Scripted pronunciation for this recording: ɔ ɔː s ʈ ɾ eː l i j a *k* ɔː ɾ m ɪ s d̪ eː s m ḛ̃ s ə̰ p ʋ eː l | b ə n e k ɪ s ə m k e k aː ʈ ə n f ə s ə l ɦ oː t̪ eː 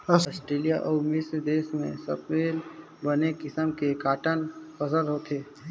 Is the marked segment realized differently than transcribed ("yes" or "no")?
yes